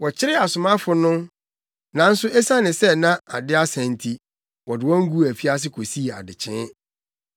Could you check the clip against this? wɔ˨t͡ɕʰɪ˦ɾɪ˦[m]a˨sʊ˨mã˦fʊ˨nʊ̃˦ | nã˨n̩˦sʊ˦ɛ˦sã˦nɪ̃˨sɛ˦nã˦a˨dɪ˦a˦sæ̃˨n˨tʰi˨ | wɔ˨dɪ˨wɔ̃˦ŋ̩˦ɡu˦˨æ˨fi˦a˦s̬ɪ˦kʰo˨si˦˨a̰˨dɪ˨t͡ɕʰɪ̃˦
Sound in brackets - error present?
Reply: yes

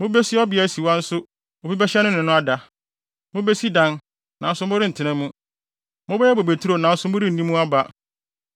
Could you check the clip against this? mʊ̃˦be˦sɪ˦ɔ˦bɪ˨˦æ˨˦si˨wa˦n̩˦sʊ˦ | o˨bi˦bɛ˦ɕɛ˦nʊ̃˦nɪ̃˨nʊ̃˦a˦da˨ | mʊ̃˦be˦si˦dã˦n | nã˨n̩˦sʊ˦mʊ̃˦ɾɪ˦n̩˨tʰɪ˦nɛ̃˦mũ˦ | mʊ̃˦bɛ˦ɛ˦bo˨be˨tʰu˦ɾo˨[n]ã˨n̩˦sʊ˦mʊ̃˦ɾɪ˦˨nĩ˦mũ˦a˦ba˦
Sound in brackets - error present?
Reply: no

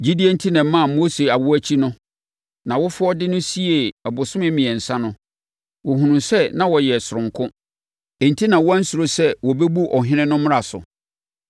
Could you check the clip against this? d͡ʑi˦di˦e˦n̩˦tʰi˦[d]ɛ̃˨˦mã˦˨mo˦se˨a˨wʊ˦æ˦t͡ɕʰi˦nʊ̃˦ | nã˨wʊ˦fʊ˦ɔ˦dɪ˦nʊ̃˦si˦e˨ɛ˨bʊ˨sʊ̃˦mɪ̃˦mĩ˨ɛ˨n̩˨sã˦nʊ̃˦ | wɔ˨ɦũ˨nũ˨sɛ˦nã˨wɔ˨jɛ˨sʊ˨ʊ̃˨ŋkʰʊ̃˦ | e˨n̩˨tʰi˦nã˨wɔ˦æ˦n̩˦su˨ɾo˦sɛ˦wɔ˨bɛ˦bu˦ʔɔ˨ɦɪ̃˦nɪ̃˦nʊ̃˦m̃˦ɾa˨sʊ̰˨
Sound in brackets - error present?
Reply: yes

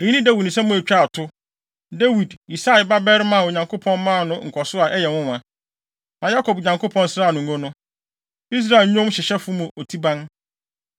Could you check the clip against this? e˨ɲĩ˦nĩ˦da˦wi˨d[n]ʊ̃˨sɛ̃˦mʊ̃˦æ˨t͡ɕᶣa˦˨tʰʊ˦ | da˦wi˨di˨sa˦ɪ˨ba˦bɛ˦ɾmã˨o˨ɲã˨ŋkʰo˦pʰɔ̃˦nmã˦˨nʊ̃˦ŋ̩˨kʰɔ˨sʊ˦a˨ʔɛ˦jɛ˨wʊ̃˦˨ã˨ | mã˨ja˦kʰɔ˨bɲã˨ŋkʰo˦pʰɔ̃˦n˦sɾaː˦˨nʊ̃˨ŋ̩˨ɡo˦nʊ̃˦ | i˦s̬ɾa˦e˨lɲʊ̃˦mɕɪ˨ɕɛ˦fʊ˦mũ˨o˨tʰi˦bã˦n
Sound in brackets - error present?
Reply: no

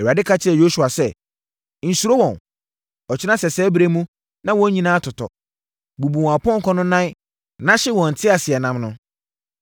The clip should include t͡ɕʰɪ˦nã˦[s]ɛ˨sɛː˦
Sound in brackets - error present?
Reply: no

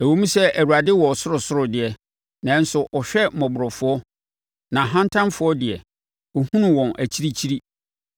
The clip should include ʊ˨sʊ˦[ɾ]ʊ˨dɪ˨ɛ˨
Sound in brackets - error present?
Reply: no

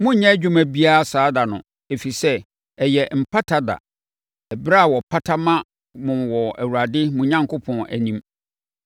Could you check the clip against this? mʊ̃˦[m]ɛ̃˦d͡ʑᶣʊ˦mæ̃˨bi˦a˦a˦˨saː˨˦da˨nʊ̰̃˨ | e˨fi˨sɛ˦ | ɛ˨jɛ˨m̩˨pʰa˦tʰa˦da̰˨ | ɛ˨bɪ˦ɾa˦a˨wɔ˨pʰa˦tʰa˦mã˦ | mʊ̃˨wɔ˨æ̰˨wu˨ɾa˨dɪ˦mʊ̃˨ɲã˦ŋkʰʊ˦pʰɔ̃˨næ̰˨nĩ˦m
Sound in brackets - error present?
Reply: yes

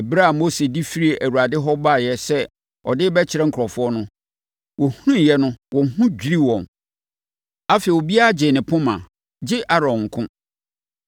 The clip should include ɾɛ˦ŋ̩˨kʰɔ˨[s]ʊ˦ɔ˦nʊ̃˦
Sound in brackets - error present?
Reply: yes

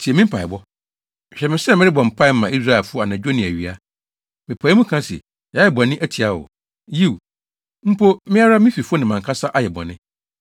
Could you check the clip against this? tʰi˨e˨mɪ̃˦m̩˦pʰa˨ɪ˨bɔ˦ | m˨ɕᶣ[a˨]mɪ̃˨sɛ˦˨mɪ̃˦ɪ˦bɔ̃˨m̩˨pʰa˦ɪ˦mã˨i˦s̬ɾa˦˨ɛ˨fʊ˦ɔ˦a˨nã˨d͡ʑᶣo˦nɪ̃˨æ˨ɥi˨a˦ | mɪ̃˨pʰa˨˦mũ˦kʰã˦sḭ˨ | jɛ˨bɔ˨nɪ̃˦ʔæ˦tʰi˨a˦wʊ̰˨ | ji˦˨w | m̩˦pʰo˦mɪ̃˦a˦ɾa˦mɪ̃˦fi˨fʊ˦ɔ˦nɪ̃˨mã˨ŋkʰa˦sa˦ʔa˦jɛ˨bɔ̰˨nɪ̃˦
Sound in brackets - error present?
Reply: yes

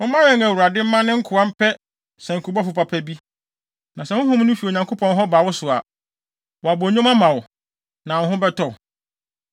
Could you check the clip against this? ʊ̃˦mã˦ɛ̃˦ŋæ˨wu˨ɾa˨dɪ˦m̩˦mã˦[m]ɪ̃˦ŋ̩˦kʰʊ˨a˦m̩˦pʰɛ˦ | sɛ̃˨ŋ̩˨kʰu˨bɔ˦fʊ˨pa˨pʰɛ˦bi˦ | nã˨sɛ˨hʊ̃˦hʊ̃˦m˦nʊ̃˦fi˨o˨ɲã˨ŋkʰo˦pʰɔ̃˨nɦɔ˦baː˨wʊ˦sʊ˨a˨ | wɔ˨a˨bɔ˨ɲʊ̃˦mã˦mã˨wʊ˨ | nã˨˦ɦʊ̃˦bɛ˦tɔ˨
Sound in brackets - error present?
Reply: yes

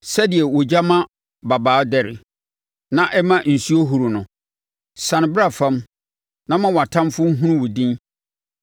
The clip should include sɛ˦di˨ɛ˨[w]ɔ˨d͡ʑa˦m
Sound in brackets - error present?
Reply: no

